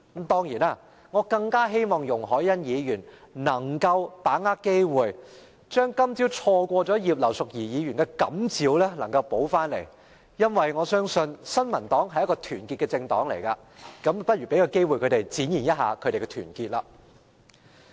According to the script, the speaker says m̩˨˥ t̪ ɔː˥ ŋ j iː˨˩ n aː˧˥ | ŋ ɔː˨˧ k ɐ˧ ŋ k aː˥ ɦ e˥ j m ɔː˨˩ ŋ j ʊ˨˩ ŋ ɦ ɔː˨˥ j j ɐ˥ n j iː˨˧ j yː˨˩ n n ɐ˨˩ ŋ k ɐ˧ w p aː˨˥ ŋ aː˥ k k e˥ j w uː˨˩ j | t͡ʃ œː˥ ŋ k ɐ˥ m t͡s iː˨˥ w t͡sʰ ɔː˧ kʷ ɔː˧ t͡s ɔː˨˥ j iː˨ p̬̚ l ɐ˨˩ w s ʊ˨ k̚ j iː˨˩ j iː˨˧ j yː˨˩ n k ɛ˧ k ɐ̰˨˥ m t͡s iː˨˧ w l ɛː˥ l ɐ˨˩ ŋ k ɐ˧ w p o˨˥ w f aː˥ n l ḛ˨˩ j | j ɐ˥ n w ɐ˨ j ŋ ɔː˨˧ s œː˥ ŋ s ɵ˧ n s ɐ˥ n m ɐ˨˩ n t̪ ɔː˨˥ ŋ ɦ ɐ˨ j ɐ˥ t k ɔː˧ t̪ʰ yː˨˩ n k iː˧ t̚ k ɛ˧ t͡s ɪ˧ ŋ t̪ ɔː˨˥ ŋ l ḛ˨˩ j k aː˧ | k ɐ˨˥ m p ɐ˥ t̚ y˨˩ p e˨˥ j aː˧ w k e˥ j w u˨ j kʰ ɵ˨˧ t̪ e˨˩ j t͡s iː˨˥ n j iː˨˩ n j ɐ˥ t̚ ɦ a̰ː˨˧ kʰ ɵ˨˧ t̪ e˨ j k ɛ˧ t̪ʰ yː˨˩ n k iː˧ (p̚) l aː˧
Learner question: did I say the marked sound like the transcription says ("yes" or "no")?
no